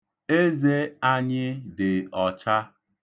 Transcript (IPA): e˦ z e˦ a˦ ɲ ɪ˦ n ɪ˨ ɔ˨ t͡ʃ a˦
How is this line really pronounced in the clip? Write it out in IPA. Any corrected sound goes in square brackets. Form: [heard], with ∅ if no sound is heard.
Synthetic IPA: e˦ z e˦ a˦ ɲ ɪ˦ [d] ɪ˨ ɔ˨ t͡ʃ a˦